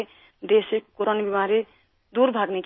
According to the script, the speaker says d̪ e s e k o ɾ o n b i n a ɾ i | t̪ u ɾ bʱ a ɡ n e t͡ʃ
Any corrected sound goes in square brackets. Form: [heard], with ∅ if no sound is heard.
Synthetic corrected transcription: d̪ e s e k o ɾ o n b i [m] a ɾ i | [d̪] u ɾ bʱ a ɡ n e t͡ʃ

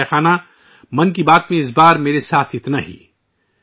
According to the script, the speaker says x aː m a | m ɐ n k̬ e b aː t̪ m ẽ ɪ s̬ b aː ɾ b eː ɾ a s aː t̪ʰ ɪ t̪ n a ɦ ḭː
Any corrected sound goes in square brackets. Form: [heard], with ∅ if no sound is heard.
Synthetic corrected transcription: x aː [n] a | m ɐ n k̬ [i] b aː t̪ m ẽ ɪ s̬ b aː ɾ [m] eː ɾ [e] s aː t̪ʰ ɪ t̪ n a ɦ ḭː

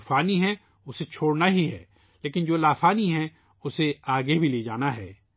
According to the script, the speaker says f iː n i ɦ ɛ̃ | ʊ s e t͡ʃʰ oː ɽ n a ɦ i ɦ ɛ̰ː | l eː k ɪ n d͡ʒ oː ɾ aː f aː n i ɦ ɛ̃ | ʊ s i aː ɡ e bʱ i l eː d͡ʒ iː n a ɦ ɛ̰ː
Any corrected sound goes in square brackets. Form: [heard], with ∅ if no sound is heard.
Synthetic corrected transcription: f [aː] n i ɦ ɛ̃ | ʊ s e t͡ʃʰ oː ɽ n a ɦ i ɦ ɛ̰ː | l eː k ɪ n d͡ʒ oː [l] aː f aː n i ɦ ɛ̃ | ʊ s [e] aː ɡ e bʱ i l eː d͡ʒ [aː] n a ɦ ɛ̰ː

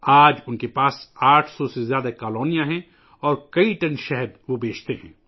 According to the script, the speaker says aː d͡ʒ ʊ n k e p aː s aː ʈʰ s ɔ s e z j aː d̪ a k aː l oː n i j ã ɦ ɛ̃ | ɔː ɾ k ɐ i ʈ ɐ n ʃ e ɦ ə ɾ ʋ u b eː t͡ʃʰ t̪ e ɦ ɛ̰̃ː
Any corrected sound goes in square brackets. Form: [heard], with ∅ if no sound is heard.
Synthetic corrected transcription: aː d͡ʒ ʊ n k e p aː s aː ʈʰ s ɔ s e z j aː d̪ a k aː l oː n i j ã ɦ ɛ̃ | ɔː ɾ k ɐ i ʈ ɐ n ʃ [ɛ] ɦ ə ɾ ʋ [o] b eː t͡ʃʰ t̪ e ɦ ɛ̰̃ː

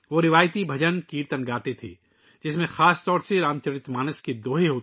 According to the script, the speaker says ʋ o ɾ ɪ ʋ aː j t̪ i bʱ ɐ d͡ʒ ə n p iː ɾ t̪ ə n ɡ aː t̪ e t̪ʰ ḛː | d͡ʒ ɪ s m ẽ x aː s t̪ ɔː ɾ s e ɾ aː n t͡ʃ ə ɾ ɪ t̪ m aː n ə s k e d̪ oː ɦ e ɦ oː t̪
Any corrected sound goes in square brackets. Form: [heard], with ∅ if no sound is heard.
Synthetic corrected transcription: ʋ o ɾ ɪ ʋ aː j t̪ i bʱ ɐ d͡ʒ ə n [k] iː ɾ t̪ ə n ɡ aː t̪ e t̪ʰ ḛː | d͡ʒ ɪ s m ẽ x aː s t̪ ɔː ɾ s e ɾ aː [m] t͡ʃ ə ɾ ɪ t̪ m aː n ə s k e d̪ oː ɦ e ɦ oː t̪

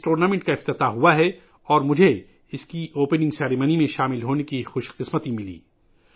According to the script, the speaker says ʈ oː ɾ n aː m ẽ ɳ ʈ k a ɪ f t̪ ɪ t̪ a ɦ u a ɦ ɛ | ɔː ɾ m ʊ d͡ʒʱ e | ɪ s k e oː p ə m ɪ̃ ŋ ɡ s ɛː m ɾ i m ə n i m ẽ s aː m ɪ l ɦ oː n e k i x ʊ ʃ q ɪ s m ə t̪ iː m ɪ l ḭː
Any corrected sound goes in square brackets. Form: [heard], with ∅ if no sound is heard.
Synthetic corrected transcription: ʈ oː ɾ n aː m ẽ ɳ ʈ k a ɪ f t̪ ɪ t̪ a ɦ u a ɦ ɛ | ɔː ɾ m ʊ d͡ʒʱ e | ɪ s k [i] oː p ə [n] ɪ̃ ŋ ɡ s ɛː [∅] ɾ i m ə n i m ẽ [ʃ] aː m ɪ l ɦ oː n e k i x ʊ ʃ q ɪ s m ə t̪ [i] m ɪ l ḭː

